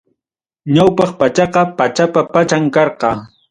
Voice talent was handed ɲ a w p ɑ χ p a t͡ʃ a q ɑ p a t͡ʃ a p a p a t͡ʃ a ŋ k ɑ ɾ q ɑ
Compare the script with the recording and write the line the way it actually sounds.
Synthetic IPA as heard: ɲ a w p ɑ χ p a t͡ʃ ɑ q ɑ p a t͡ʃ a p a p a t͡ʃ a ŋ k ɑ ɾ q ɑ